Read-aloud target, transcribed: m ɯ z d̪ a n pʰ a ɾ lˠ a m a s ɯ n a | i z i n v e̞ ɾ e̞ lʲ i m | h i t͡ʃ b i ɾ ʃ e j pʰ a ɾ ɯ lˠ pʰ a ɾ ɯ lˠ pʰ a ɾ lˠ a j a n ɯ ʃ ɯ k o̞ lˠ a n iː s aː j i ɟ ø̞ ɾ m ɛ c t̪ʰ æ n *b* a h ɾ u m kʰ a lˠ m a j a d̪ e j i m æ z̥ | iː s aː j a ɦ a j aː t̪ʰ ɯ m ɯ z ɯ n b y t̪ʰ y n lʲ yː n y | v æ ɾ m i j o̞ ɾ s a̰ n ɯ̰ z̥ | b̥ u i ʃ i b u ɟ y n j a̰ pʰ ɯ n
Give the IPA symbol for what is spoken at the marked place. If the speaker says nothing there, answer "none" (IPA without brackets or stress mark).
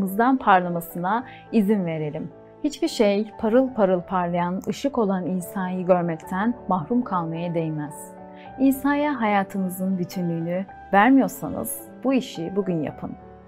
m